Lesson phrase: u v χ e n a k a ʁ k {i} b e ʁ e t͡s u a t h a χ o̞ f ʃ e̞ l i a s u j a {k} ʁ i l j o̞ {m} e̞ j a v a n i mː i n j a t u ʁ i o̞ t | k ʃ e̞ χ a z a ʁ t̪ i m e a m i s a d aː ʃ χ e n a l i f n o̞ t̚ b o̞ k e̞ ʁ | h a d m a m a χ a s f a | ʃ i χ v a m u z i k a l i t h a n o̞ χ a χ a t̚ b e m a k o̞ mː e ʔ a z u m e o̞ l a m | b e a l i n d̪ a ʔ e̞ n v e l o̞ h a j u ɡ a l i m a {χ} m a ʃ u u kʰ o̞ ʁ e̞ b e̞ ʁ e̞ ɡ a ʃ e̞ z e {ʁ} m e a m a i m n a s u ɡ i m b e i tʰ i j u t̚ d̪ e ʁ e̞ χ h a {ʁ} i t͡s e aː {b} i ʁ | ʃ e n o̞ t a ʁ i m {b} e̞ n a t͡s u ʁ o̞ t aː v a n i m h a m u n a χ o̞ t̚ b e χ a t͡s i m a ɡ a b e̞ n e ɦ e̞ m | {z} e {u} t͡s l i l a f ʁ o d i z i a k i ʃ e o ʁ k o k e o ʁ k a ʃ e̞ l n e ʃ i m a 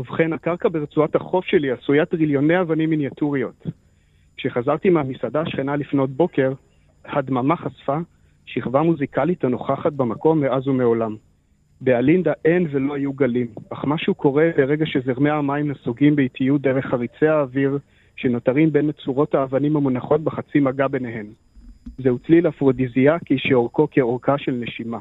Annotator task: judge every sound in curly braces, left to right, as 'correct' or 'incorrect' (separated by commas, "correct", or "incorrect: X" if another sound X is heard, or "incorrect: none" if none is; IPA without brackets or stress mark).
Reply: incorrect: a, incorrect: t, incorrect: n, correct, correct, correct, incorrect: v, correct, correct, correct